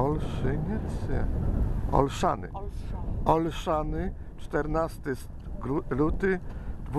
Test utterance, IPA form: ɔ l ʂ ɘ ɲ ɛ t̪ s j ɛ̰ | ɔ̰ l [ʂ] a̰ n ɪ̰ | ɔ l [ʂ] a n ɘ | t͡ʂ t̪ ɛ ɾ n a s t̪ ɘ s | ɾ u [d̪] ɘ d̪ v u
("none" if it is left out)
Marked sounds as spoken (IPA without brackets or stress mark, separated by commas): ʂ, ʂ, t̪